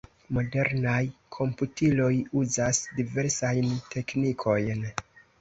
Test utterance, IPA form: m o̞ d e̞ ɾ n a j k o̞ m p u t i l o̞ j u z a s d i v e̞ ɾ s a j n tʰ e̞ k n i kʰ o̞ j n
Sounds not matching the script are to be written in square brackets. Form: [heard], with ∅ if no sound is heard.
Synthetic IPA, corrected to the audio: m o̞ d e̞ ɾ n a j [kʰ] o̞ m p u t i l o̞ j u z a s d i v e̞ ɾ s a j n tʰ e̞ k n i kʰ o̞ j n